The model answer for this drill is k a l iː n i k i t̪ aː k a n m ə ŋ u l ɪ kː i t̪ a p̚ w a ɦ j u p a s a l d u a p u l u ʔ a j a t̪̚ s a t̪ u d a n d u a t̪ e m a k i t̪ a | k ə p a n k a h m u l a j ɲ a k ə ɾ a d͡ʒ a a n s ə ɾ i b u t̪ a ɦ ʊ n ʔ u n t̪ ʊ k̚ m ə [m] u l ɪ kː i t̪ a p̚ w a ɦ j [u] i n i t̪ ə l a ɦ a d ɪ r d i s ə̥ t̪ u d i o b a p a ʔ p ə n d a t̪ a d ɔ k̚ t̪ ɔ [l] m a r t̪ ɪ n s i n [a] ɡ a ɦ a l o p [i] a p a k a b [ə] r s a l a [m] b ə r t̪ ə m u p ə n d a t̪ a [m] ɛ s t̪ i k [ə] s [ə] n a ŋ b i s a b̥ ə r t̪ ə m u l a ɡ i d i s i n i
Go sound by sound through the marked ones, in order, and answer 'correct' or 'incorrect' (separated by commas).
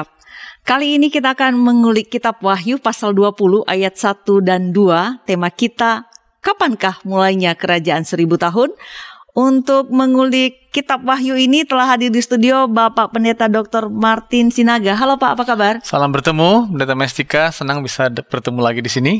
incorrect, correct, incorrect, correct, incorrect, incorrect, correct, correct, incorrect, correct